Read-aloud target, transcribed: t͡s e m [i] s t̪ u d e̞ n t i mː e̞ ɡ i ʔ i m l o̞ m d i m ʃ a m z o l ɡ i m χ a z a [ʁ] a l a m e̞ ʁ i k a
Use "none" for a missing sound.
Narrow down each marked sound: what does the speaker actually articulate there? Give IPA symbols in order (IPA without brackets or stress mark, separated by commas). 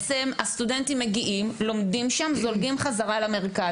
a, ʁ